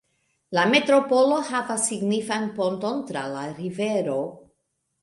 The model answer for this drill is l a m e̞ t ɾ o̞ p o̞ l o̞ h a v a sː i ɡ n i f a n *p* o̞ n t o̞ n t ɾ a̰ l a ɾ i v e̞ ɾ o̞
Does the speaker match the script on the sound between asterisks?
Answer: yes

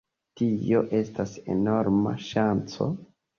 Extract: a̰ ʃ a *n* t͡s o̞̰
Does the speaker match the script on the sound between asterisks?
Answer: yes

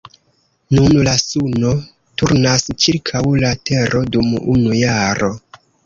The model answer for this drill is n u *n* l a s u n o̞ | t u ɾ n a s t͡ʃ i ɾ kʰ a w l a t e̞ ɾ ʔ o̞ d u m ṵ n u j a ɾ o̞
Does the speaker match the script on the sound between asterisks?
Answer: yes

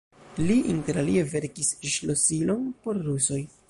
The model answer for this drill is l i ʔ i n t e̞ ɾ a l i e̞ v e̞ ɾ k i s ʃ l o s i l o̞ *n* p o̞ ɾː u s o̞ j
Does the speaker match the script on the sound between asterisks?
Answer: yes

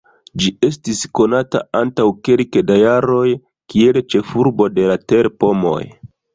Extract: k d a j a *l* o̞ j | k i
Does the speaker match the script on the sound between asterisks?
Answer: no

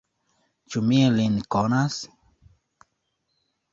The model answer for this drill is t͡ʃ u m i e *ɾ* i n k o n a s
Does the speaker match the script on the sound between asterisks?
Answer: no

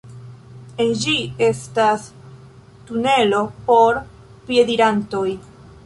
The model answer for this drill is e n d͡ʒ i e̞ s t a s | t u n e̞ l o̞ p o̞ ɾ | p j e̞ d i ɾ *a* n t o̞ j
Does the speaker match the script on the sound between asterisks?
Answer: yes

